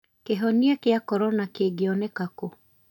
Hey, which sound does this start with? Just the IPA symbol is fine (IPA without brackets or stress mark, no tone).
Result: k